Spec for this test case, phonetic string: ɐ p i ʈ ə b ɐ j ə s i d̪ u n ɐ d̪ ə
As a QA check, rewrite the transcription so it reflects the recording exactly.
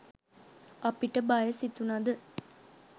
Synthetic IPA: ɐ p i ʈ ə b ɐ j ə s i t̪ u n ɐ d̪ ə

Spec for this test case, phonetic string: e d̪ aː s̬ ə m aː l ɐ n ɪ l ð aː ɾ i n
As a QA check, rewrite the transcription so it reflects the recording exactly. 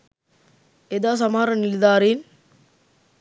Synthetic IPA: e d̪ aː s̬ ɐ m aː ɾ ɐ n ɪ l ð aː ɾ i n

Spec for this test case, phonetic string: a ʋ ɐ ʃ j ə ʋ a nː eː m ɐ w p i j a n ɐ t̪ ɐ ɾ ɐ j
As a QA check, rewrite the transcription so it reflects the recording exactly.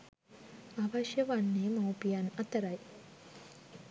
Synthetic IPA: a ʋ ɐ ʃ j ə ʋ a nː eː m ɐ w p i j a n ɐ t̪ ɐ ɾ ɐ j

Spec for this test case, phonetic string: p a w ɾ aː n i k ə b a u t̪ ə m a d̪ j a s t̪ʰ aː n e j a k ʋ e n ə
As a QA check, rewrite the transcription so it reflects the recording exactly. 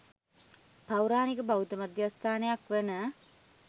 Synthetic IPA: p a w ɾ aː n i k ə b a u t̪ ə m a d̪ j a s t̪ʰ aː n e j a k ʋ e n ə

